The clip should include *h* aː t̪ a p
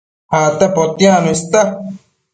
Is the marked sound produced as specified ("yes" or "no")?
yes